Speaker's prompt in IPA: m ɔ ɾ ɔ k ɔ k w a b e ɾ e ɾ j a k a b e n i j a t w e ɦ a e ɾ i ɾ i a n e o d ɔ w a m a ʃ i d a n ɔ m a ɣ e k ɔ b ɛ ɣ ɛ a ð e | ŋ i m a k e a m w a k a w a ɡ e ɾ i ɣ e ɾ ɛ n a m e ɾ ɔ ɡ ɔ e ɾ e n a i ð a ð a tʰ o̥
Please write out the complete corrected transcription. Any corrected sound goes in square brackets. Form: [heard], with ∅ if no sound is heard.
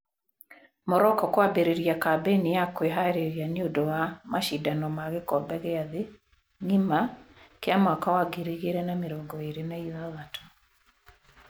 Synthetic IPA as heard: m ɔ ɾ ɔ k ɔ k w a b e ɾ e ɾ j a k a b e n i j a [k] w e ɦ a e ɾ [e] ɾ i a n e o d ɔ w a m a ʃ i d a n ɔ m a ɣ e k ɔ b ɛ ɣ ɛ a ð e | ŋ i m a k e a m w a k a w a ɡ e ɾ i ɣ e ɾ ɛ n a m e ɾ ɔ ɡ ɔ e ɾ e n a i ð a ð a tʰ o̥